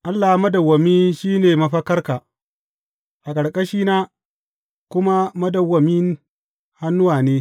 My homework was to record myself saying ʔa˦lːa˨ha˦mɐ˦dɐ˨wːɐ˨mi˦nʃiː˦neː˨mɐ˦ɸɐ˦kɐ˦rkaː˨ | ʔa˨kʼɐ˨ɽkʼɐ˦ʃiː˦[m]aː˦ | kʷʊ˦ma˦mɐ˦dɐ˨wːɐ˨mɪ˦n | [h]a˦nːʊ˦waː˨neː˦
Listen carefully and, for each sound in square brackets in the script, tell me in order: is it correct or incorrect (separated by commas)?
incorrect, correct